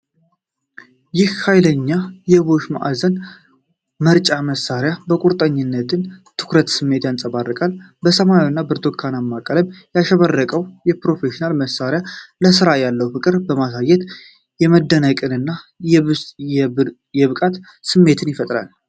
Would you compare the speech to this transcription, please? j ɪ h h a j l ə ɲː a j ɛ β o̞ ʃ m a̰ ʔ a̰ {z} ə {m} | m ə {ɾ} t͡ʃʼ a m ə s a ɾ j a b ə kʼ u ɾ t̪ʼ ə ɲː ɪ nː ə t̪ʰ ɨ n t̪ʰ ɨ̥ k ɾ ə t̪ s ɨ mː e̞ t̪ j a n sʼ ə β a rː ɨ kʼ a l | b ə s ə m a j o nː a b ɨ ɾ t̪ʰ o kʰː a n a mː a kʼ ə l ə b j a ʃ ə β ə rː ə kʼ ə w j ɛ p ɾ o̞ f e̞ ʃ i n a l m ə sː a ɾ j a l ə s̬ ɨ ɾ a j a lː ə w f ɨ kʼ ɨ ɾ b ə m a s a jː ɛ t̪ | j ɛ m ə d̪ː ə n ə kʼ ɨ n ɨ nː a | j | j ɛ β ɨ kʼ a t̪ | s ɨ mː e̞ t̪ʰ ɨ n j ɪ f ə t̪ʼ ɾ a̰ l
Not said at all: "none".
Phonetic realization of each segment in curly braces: z, n, ɾ

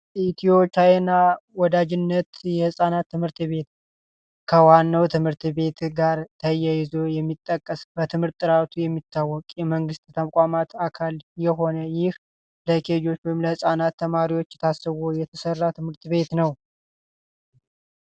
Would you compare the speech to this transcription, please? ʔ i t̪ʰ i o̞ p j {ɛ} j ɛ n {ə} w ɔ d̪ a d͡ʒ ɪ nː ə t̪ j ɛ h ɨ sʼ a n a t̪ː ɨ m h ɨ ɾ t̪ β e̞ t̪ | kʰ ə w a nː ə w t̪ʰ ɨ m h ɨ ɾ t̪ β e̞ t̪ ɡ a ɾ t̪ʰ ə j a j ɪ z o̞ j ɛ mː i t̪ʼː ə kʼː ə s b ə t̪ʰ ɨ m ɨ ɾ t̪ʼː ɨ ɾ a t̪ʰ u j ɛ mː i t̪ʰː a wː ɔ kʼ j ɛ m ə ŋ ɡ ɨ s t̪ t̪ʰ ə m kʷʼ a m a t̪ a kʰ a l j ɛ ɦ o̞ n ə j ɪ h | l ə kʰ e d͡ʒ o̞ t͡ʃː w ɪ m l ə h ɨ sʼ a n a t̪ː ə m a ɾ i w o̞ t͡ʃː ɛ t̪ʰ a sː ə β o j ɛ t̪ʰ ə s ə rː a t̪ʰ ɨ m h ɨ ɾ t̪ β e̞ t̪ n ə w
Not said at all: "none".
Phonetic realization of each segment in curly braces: a, a

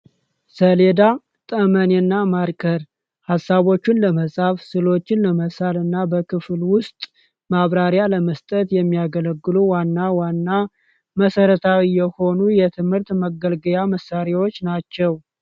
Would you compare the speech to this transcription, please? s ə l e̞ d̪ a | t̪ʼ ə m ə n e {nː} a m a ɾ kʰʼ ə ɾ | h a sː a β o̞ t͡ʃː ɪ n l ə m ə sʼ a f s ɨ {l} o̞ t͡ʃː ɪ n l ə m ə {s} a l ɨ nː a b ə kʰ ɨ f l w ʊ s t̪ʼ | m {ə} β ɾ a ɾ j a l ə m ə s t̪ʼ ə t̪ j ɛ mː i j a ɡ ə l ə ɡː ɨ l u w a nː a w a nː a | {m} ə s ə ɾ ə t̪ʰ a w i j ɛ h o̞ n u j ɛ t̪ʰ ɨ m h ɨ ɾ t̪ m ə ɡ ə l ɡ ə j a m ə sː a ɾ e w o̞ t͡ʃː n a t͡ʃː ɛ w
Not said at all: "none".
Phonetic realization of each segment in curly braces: nː, l, s, a, m

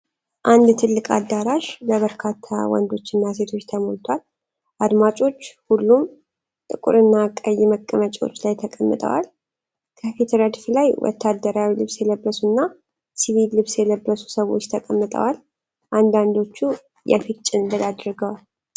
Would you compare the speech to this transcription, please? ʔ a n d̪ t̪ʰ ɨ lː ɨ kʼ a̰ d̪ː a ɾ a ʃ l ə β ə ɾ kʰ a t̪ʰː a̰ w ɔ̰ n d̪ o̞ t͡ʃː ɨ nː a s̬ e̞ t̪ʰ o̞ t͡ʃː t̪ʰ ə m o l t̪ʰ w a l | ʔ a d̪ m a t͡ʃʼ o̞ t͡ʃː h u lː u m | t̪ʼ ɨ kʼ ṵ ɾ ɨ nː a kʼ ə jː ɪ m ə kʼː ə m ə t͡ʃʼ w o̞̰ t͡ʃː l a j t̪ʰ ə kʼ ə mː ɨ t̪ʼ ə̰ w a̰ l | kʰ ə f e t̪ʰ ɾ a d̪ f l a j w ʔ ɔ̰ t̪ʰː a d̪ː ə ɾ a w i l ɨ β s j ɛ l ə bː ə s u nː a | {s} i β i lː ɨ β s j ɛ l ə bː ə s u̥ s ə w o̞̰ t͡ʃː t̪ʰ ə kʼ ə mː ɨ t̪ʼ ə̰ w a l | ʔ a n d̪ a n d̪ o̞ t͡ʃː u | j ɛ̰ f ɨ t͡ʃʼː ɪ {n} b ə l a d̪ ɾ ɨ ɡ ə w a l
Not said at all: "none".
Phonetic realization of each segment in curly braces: s, n

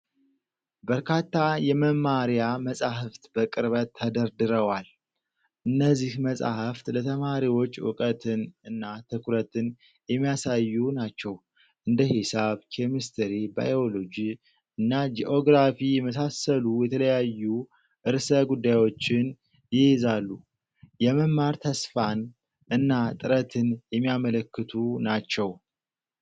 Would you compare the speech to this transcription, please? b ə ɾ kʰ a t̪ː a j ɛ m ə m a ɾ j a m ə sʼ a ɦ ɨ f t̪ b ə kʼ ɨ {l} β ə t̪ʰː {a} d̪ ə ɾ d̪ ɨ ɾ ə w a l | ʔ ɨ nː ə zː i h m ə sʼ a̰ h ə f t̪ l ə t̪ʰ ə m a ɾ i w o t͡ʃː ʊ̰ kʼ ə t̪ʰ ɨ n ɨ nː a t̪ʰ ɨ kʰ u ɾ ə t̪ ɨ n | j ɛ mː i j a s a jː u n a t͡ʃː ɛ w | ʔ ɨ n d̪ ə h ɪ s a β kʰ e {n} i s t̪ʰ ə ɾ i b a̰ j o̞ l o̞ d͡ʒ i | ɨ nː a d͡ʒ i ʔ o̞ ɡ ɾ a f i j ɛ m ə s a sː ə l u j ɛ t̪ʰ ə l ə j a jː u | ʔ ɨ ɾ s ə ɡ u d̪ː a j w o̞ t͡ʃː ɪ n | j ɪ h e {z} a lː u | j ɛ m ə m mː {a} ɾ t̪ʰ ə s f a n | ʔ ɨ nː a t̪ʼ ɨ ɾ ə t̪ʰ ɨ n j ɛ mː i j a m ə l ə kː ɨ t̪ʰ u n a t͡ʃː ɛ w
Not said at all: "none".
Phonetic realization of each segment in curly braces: ɾ, ə, m, z, a

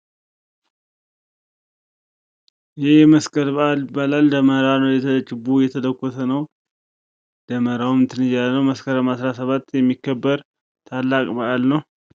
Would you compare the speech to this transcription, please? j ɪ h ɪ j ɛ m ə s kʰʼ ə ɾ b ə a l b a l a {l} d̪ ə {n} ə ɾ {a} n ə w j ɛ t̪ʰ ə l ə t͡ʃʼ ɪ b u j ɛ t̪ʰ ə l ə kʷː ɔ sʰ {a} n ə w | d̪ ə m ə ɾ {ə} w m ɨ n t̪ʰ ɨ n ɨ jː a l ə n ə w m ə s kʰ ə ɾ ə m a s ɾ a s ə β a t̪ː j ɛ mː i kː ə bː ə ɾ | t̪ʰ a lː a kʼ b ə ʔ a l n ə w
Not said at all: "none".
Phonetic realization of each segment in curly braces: l, m, a, ə, a

